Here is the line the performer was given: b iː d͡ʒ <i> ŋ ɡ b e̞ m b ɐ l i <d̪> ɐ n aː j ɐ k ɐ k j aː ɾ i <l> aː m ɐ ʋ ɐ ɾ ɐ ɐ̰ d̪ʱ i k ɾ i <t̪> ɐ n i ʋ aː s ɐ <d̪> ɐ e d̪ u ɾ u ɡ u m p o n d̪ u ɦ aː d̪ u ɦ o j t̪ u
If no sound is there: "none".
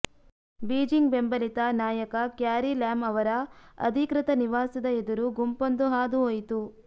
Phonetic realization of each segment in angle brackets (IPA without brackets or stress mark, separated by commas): i, t̪, l, t̪, d̪